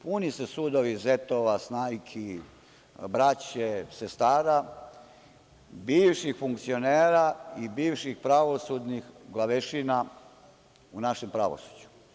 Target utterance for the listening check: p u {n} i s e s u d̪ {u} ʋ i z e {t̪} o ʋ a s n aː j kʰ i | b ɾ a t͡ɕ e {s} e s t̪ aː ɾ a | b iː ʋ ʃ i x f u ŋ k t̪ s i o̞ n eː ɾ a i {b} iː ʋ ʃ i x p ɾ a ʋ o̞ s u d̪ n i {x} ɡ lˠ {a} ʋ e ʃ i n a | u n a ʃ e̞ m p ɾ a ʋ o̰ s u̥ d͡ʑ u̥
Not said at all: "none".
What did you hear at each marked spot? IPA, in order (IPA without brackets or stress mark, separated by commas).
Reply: n, o, t̪, s, b, x, a